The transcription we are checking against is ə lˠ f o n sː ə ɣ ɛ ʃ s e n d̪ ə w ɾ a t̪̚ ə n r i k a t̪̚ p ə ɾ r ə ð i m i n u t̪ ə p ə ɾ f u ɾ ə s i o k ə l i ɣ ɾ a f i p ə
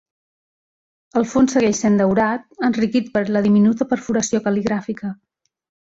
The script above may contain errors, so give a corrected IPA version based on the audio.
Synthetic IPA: ə lˠ f o n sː ə ɣ ɛ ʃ s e n d̪ ə w ɾ a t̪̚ ə n r i k i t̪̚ p ə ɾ l ə ð i m i n u t̪ ə p ə ɾ f u ɾ ə s i o k ə l i ɣ ɾ a f i k ə